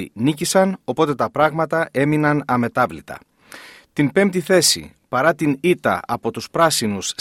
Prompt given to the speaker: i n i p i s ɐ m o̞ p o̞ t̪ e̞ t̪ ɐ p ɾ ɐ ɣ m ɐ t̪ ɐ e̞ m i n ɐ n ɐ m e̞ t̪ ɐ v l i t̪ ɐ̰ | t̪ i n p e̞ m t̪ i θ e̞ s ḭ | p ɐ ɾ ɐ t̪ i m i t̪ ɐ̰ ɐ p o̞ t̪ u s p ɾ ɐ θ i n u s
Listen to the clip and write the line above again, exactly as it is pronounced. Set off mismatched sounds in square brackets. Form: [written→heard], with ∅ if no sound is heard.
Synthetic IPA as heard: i n i [p→c] i s ɐ [m→n] o̞ p o̞ t̪ e̞ t̪ ɐ p ɾ ɐ ɣ m ɐ t̪ ɐ e̞ m i n ɐ n ɐ m e̞ t̪ ɐ v l i t̪ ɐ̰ | t̪ i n p e̞ m t̪ i θ e̞ s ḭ | p ɐ ɾ ɐ t̪ i [m→n] i t̪ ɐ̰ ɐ p o̞ t̪ u s p ɾ ɐ [θ→s] i n u s